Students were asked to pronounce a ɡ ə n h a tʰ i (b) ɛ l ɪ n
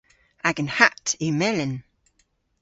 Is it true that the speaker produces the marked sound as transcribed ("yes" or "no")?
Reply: no